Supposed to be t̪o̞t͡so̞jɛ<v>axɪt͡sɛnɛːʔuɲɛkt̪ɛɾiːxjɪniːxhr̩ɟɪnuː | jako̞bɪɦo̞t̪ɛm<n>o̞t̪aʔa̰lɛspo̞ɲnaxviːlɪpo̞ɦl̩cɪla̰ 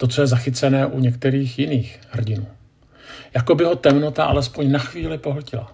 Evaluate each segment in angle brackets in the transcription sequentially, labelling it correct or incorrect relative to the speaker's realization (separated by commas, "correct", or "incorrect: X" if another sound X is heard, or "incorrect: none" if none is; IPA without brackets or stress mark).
incorrect: z, correct